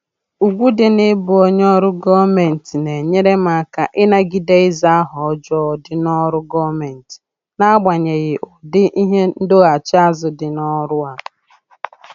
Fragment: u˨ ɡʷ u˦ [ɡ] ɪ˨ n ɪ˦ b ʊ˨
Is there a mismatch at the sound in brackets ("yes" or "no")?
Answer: yes